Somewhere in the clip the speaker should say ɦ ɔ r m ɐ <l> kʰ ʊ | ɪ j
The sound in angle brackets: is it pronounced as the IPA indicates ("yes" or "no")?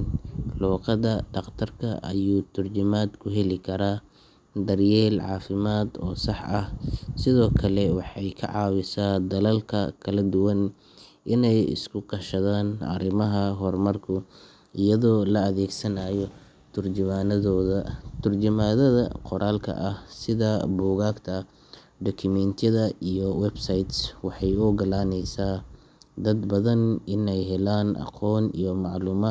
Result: no